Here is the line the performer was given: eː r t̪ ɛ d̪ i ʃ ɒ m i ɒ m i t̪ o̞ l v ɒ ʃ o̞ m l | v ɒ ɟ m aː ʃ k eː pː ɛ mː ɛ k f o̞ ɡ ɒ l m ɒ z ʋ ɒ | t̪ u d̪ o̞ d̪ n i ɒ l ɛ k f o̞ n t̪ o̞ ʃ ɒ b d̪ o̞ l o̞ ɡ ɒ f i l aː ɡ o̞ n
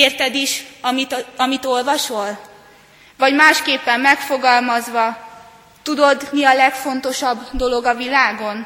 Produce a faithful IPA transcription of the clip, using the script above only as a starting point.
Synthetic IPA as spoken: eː r t̪ ɛ d̪ i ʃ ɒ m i ɒ m i t̪ o̞ l v ɒ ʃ o̞ l | v ɒ ɟ m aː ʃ k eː pː ɛ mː ɛ k f o̞ ɡ ɒ l m ɒ z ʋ ɒ | t̪ u d̪ o̞ d̪ n i ɒ l ɛ k f o̞ n t̪ o̞ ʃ ɒ b d̪ o̞ l o̞ ɡ ɒ v i l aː ɡ o̞ n